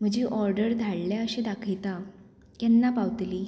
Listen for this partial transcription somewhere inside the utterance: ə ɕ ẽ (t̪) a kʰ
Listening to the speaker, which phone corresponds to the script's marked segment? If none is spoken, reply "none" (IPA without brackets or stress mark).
d̪